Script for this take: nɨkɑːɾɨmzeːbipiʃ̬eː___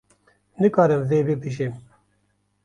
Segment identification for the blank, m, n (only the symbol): m